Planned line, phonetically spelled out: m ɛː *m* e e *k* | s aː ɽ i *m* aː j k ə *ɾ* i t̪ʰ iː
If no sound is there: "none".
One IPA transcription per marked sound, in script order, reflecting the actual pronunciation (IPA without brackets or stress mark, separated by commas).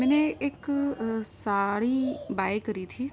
n, k, b, ɾ